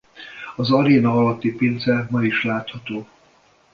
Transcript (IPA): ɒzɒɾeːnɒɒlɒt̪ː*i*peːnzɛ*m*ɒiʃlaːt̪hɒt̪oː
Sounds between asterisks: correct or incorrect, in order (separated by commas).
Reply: correct, correct